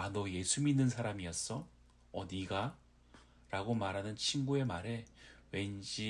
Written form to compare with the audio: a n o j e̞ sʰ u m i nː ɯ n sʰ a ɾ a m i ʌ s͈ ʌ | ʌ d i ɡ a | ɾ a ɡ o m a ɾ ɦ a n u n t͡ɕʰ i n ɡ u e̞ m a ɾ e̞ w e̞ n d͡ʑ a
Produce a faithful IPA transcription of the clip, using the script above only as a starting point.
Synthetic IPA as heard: a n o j e̞ sʰ u m i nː ɯ n sʰ a ɾ a m i ʌ s͈ ʌ | ʌ d i ɡ a | ɾ a ɡ o m a ɾ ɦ a n ɯ n t͡ɕʰ i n ɡ u e̞ m a ɾ e̞ w e̞ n d͡ʑ i

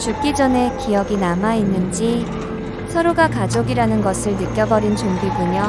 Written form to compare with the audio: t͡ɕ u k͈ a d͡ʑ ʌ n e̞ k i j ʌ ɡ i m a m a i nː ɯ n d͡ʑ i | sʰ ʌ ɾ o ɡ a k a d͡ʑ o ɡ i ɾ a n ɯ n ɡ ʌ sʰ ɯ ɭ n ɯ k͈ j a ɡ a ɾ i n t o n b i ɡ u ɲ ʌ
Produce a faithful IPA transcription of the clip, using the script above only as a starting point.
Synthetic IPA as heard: t͡ɕ u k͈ i d͡ʑ ʌ n e̞ k i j ʌ ɡ i n a m a i nː ɯ n d͡ʑ i | sʰ ʌ ɾ o ɡ a k a d͡ʑ o ɡ i ɾ a n ɯ n ɡ ʌ sʰ ɯ ɭ n ɯ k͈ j ʌ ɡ ʌ ɾ i n t͡ɕ o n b i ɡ u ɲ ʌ

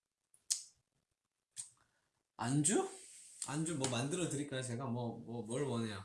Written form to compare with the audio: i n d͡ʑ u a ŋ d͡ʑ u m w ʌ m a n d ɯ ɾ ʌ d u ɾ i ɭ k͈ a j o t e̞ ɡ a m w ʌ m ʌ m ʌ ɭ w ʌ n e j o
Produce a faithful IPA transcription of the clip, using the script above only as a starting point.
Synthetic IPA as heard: a n d͡ʑ u a n d͡ʑ u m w ʌ m a n d ɯ ɾ ʌ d ɯ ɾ i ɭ k͈ a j o t͡ɕ e̞ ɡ a m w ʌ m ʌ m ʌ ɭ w ʌ n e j o

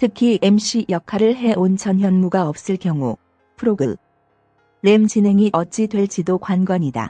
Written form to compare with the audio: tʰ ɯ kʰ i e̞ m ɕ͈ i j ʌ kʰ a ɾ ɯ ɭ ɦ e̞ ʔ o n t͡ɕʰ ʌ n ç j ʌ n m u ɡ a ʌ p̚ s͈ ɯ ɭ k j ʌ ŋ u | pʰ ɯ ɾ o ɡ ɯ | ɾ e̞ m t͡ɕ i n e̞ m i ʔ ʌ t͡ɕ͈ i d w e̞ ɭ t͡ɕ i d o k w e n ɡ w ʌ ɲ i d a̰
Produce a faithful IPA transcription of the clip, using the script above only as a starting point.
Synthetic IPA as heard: tʰ ɯ kʰ i e̞ m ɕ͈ i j ʌ kʰ a ɾ ɯ ɭ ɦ e̞ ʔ o n t͡ɕʰ ʌ n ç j ʌ n m u ɡ a ʌ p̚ s͈ ɯ ɭ k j ʌ ŋ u | pʰ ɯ ɾ o ɡ ɯ | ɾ e̞ m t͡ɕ i n e̞ ŋ i ʔ ʌ t͡ɕ͈ i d w e̞ ɭ t͡ɕ i d o k w a n ɡ w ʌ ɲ i d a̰

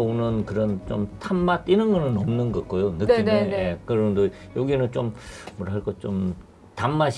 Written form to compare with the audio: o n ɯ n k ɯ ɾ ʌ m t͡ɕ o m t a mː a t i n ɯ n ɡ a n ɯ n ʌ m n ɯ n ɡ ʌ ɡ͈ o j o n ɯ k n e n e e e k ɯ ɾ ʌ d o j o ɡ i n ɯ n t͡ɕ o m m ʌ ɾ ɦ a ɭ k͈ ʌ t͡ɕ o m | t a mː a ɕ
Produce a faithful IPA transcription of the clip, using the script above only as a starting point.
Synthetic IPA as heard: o n ɯ n k ɯ ɾ ʌ n t͡ɕ o m tʰ a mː a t i n ɯ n ɡ ʌ n ɯ n ʌ m n ɯ n ɡ ʌ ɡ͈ o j o n ɯ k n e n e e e k ɯ ɾ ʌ d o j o ɡ i n ɯ n t͡ɕ o m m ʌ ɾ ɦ a ɭ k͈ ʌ t͡ɕ o m | t a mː a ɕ

